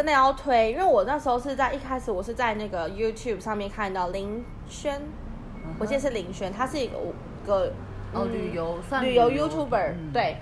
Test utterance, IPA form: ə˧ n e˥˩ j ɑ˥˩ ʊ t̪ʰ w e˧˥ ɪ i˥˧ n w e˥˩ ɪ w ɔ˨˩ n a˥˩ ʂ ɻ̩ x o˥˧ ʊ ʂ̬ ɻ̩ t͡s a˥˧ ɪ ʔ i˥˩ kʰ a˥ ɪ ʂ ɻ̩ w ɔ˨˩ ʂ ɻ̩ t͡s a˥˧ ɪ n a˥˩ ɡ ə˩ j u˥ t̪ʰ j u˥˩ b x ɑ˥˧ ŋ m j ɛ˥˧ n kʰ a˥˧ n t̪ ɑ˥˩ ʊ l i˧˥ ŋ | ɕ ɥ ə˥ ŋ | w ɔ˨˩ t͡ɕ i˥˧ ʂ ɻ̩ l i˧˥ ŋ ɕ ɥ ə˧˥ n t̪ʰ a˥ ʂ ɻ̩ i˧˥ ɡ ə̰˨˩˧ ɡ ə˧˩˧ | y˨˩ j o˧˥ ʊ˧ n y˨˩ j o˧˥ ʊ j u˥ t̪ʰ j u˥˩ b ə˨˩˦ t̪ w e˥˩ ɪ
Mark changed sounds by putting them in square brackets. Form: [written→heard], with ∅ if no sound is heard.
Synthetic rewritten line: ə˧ n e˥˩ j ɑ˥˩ ʊ t̪ʰ w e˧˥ ɪ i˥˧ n w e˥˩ ɪ w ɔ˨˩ n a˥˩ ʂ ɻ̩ x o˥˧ ʊ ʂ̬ ɻ̩ t͡s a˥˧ ɪ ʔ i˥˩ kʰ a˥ ɪ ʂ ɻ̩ w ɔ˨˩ ʂ ɻ̩ t͡s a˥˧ ɪ n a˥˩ ɡ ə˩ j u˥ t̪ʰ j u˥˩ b [x→ʂ] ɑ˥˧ ŋ m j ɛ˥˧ n kʰ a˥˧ n t̪ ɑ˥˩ ʊ l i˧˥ ŋ | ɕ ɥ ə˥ [ŋ→n] | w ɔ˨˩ t͡ɕ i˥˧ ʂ ɻ̩ l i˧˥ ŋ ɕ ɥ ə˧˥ n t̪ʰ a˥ ʂ ɻ̩ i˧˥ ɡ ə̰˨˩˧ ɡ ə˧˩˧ | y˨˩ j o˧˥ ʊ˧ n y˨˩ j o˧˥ ʊ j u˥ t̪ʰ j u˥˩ b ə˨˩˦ t̪ w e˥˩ ɪ